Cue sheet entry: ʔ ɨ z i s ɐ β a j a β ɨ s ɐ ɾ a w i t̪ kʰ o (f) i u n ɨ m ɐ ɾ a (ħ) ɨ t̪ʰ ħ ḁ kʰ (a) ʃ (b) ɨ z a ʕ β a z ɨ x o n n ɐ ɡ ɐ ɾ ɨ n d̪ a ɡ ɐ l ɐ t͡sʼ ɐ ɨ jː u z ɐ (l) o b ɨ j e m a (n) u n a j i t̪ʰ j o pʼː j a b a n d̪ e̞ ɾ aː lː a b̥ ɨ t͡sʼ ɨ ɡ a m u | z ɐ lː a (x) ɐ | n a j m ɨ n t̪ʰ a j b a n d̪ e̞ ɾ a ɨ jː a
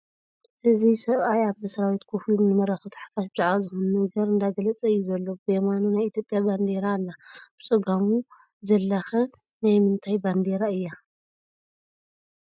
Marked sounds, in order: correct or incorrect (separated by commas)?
correct, incorrect, correct, correct, incorrect, correct, correct